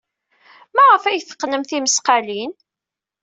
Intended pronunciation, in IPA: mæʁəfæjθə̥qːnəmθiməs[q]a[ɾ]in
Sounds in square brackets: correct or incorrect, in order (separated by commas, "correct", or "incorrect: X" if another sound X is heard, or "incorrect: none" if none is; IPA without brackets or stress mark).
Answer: correct, incorrect: l